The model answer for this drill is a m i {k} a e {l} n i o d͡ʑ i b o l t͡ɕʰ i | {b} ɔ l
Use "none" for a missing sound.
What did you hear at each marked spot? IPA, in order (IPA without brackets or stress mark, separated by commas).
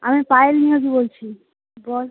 p, l, b